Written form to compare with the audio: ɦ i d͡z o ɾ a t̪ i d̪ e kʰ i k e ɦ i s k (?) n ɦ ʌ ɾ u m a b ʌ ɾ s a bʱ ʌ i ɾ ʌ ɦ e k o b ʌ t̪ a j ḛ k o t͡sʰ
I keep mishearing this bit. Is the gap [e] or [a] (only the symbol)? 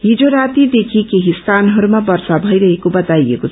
a